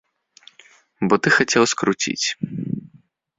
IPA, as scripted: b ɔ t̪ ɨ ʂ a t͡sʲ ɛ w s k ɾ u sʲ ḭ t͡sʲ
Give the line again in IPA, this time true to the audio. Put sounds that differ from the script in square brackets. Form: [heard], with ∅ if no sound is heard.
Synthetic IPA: b ɔ t̪ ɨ [x] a t͡sʲ ɛ w s k ɾ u [t͡sʲ] ḭ t͡sʲ